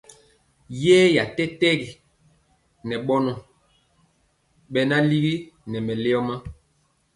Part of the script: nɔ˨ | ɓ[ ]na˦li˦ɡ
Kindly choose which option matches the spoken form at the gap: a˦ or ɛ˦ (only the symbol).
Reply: ɛ˦